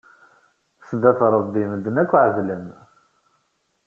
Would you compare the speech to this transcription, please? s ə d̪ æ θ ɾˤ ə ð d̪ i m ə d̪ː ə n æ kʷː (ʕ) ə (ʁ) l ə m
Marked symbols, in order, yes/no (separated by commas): yes, no